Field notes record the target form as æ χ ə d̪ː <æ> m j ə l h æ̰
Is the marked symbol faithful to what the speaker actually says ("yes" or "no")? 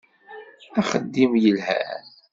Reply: no